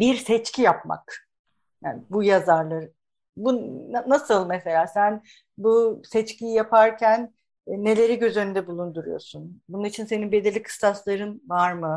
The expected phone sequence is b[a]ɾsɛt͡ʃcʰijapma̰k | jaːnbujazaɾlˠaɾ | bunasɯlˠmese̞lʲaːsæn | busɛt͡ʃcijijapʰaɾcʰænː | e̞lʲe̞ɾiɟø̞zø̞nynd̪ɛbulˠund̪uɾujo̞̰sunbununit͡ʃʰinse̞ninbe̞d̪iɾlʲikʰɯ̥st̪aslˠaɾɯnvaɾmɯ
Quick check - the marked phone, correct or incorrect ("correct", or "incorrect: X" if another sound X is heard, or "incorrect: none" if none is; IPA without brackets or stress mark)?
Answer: incorrect: i